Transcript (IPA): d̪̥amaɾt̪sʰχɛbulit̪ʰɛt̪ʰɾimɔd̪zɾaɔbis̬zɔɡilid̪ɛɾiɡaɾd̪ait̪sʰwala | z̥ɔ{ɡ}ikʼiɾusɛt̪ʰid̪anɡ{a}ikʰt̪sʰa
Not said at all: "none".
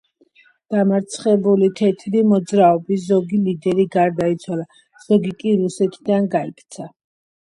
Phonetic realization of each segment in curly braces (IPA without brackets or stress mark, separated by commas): ɡ, a